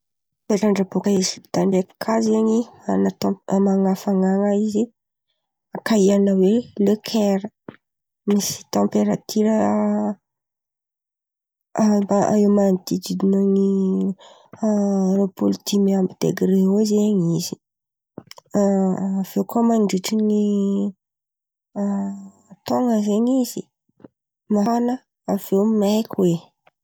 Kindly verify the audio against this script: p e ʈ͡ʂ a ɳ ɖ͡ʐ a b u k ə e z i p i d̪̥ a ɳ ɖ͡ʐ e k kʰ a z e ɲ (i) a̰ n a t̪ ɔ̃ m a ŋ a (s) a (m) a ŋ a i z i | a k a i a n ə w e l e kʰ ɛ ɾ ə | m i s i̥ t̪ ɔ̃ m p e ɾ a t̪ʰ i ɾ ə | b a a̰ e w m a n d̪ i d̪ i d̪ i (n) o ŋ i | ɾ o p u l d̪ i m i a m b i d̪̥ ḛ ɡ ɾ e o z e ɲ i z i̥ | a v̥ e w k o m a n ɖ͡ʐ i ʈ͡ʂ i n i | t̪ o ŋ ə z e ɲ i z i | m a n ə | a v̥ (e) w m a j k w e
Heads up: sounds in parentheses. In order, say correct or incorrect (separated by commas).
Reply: correct, incorrect, incorrect, correct, correct